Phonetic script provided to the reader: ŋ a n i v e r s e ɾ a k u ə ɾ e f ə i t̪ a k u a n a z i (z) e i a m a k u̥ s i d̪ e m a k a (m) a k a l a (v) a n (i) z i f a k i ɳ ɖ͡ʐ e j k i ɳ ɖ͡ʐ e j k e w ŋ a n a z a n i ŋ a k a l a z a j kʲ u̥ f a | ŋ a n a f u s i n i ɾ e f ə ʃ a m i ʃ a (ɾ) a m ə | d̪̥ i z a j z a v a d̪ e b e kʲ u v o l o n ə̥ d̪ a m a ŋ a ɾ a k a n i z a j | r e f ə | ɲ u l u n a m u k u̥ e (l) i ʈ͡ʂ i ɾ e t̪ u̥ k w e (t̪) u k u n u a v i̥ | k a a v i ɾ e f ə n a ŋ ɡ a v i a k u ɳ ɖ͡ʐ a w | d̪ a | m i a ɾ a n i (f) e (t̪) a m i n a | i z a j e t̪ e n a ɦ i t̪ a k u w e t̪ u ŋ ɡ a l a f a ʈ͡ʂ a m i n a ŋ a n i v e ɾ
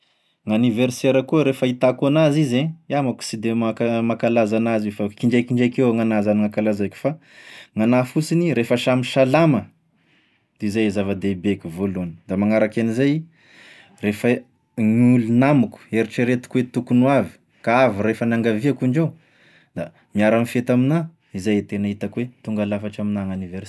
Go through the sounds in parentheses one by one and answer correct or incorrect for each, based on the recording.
correct, correct, incorrect, incorrect, incorrect, incorrect, correct, correct, correct

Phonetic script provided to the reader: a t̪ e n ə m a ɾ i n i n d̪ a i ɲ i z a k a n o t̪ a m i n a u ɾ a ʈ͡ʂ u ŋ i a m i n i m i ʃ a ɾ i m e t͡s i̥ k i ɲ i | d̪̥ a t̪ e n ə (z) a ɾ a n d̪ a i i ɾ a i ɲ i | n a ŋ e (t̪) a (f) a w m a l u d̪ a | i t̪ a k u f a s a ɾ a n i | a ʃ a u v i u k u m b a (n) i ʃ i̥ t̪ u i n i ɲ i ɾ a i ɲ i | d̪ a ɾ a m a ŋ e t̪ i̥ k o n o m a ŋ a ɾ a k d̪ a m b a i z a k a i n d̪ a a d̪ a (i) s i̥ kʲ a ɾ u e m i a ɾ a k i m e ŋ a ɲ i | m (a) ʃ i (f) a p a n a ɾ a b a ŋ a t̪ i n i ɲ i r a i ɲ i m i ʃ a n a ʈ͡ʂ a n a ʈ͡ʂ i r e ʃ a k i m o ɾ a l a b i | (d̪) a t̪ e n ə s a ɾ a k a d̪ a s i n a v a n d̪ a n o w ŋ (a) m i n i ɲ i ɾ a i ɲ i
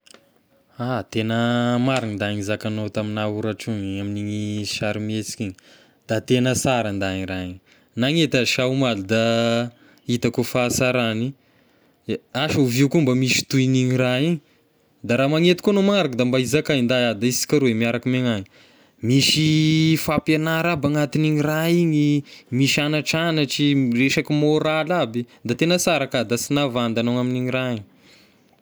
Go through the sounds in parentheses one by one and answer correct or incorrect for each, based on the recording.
incorrect, correct, incorrect, incorrect, correct, incorrect, correct, correct, correct

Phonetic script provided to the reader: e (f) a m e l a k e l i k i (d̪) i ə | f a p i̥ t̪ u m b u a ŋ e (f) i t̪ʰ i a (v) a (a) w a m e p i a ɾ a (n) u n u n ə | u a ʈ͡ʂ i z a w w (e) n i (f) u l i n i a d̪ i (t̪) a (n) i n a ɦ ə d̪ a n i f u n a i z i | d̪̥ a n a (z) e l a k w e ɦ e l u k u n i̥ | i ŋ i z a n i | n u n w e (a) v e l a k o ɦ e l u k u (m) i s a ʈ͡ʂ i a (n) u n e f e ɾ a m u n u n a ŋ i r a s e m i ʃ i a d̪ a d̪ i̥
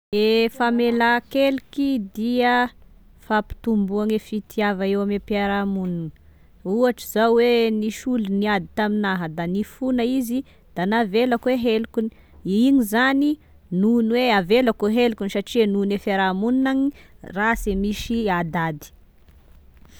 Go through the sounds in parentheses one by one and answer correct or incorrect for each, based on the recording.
correct, correct, correct, correct, incorrect, incorrect, correct, incorrect, correct, incorrect, incorrect, correct, incorrect, correct

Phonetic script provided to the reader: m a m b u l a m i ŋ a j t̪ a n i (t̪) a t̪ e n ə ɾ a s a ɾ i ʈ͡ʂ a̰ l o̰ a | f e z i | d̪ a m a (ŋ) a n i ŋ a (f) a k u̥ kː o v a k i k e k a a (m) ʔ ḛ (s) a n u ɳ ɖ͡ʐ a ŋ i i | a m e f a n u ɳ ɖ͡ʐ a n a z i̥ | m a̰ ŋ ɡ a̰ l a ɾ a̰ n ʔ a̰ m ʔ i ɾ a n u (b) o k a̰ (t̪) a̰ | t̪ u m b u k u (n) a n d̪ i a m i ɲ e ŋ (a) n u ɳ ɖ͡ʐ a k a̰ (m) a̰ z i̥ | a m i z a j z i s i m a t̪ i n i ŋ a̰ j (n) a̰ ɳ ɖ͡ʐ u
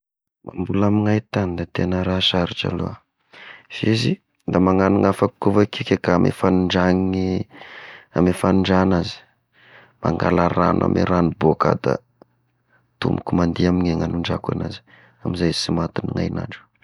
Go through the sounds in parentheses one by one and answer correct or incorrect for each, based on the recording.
incorrect, correct, correct, correct, incorrect, correct, incorrect, incorrect, correct, incorrect, correct

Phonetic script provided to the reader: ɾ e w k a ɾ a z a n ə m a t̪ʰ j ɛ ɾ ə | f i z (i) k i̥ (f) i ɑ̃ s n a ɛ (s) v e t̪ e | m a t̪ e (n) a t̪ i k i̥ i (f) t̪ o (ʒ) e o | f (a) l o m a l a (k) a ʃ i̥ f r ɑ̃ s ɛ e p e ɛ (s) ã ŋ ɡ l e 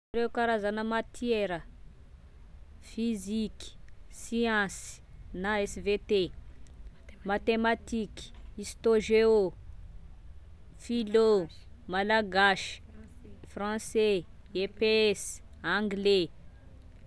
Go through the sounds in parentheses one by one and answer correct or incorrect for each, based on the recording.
correct, incorrect, correct, incorrect, incorrect, correct, incorrect, incorrect, correct

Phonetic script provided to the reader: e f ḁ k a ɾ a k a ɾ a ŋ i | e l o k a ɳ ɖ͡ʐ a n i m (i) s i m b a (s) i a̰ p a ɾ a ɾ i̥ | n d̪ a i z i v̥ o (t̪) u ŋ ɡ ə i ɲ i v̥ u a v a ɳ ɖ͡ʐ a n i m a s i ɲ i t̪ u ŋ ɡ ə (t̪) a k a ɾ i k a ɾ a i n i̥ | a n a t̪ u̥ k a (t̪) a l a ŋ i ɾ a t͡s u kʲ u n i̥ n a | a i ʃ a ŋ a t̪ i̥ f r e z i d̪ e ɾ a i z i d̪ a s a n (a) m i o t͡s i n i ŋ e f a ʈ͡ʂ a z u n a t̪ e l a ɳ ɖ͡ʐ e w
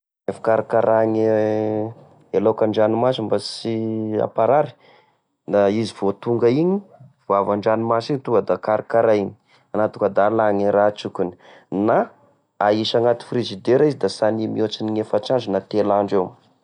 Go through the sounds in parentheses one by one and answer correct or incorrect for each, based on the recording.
incorrect, correct, correct, incorrect, incorrect, incorrect

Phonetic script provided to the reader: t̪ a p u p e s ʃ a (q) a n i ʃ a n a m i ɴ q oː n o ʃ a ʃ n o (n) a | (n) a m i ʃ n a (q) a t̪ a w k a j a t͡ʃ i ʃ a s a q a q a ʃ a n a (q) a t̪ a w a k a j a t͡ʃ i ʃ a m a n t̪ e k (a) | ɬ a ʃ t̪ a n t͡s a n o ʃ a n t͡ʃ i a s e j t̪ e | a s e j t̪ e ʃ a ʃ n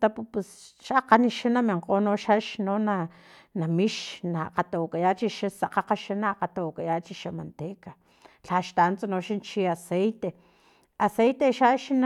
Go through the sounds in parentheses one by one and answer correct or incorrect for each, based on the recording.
correct, correct, correct, correct, correct, correct

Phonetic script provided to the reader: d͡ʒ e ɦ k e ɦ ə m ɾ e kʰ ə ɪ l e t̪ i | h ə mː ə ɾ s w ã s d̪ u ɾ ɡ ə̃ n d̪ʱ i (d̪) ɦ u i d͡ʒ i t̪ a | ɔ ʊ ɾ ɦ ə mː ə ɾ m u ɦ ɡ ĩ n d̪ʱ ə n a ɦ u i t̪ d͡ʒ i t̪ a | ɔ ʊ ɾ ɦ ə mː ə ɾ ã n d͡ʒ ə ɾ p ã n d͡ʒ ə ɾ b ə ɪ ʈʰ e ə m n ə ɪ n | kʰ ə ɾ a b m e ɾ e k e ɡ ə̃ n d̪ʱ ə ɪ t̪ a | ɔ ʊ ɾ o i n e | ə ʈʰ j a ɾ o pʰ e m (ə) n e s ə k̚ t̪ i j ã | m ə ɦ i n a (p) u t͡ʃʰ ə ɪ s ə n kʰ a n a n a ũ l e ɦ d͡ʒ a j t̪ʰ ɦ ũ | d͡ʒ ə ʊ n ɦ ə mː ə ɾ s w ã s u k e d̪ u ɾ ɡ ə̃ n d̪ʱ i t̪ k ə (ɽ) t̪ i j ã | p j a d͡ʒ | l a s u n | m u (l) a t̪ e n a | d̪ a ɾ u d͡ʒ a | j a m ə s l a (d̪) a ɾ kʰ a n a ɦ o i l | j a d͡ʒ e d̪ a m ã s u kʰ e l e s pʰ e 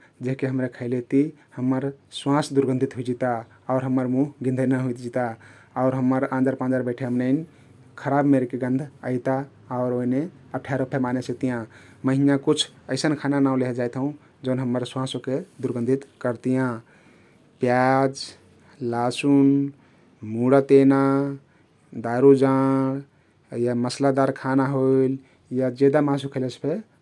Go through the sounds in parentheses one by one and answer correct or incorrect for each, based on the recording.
incorrect, incorrect, incorrect, incorrect, incorrect, correct

